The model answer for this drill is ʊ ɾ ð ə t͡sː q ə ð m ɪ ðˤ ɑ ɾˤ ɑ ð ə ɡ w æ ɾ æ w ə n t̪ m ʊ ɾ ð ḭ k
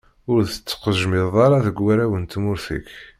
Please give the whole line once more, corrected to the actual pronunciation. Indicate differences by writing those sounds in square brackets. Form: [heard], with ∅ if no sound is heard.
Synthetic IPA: ʊ ɾ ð ə t͡sː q ə [ʒ] m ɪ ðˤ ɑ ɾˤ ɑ ð ə ɡ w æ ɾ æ w ə n t̪ m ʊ ɾ [θ] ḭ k